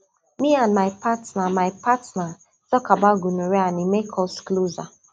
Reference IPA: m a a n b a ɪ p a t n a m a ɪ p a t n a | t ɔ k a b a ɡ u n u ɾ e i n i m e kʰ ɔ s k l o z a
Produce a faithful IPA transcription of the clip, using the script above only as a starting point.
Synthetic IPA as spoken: m i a n m a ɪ p a t n a m a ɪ p a t n a | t ɔ k a b a ɡ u n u ɾ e a n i m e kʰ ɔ s k l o z a